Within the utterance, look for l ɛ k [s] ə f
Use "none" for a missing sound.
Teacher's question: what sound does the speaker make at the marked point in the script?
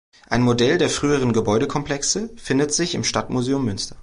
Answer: s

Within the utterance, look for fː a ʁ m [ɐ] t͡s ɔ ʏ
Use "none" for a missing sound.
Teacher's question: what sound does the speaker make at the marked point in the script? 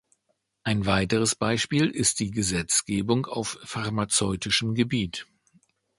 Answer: a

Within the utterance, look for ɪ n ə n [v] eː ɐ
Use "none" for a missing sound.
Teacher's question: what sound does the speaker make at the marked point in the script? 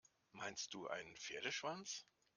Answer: f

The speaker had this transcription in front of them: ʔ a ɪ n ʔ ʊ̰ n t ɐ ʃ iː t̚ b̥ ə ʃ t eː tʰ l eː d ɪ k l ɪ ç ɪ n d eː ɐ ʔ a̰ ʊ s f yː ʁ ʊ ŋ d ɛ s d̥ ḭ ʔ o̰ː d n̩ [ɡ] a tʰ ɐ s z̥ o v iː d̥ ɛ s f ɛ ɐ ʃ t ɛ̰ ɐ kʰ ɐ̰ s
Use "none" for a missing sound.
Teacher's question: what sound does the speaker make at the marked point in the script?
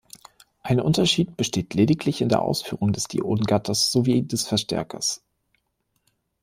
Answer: ɡ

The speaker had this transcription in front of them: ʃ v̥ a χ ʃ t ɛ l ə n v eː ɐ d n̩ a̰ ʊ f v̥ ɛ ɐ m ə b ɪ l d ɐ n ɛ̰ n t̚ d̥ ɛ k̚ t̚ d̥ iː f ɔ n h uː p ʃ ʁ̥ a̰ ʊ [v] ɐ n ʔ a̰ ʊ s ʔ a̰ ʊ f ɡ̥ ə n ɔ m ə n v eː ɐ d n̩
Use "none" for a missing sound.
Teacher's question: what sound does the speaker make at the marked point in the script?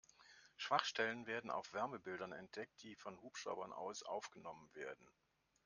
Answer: b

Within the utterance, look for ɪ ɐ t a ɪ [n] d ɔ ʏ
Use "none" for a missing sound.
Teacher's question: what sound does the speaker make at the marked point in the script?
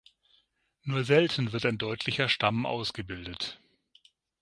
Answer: n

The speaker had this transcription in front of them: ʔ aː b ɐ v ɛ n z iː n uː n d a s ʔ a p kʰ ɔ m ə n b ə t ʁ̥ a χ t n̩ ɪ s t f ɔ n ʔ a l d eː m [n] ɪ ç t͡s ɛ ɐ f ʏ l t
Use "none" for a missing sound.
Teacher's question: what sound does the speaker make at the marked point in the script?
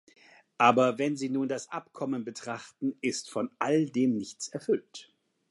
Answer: n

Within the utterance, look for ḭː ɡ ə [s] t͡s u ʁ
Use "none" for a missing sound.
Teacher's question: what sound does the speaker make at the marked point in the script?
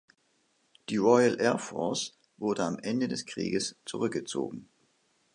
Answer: s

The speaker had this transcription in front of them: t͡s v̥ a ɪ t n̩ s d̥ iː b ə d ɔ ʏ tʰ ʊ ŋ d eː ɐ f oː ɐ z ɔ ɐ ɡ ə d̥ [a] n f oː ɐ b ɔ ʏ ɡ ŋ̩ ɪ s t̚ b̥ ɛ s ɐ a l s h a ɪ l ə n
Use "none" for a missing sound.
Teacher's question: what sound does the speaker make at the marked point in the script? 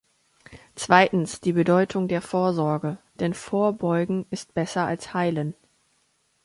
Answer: ɛ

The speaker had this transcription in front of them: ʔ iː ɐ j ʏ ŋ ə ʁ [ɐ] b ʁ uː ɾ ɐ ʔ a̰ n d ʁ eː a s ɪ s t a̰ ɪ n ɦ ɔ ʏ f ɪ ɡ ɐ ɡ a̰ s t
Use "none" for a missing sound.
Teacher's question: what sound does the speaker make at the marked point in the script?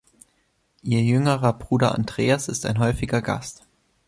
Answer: ɐ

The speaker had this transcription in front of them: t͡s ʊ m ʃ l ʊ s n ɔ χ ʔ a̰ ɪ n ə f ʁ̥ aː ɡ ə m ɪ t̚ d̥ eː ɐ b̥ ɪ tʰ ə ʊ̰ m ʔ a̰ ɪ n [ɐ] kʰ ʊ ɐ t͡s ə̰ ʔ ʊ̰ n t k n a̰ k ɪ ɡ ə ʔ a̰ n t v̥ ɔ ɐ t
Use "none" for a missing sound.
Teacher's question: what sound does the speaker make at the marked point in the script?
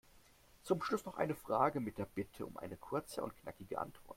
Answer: ə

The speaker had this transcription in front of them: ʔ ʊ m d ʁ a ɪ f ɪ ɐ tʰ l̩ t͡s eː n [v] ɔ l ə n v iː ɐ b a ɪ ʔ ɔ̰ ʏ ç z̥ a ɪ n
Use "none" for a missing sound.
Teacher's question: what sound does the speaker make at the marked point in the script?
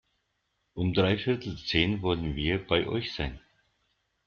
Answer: v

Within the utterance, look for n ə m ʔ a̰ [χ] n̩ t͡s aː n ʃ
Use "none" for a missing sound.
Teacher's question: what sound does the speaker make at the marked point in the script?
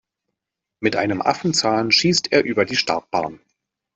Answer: f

